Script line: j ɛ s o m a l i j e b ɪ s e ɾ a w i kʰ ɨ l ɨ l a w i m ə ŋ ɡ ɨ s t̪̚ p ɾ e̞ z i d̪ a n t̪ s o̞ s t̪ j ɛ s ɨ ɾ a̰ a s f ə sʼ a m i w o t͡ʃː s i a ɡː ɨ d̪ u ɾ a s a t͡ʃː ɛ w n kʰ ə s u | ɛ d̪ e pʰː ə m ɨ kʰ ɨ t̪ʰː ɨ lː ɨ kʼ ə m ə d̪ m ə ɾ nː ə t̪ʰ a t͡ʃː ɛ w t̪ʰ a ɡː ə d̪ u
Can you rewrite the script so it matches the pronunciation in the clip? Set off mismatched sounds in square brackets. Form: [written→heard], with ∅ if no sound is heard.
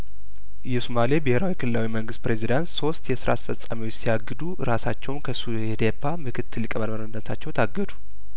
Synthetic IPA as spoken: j ɛ s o m a l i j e b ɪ [s→h] e ɾ a w i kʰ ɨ l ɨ l a w i m ə ŋ ɡ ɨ s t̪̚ p ɾ e̞ z i d̪ a n t̪ s o̞ s t̪ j ɛ s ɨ ɾ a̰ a s f ə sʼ a m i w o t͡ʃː s i a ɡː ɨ d̪ u ɾ a s a t͡ʃː ɛ w n kʰ ə s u | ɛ d̪ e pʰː [ə→a] m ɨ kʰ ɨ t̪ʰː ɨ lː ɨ kʼ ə m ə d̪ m ə ɾ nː ə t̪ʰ a t͡ʃː ɛ w t̪ʰ a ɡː ə d̪ u